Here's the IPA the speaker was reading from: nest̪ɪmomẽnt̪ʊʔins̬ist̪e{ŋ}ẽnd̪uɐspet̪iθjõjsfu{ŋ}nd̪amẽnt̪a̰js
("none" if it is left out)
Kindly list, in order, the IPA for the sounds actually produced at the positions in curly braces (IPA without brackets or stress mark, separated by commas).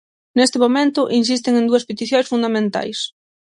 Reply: ŋ, none